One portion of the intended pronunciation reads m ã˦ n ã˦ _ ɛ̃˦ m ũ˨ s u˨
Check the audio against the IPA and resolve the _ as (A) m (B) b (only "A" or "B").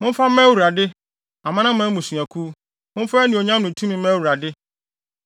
A